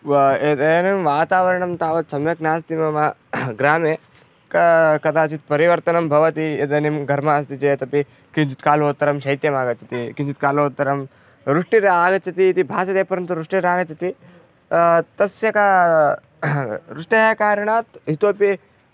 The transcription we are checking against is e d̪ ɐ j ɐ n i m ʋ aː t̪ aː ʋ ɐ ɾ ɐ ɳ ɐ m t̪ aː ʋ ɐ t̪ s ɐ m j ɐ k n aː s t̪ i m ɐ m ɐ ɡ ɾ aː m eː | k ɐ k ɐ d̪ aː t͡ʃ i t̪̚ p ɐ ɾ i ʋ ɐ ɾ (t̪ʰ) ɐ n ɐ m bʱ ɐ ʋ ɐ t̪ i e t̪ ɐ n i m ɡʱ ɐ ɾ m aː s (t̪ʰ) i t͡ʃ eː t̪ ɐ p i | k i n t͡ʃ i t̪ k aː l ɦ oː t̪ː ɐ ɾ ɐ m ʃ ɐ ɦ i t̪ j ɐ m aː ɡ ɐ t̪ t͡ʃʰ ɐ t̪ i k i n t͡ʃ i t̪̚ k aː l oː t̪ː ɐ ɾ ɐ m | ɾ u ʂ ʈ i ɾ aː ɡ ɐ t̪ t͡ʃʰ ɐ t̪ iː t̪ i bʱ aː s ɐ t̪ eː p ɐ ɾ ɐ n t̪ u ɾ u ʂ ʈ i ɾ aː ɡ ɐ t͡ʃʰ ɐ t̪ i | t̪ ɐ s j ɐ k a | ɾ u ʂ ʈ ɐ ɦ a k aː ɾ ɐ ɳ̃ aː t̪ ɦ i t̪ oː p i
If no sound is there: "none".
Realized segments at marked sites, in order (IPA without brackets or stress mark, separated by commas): t̪, t̪